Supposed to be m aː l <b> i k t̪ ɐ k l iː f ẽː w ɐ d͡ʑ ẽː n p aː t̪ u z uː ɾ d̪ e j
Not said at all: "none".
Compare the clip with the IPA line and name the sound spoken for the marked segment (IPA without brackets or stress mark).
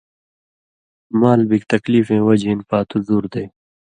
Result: b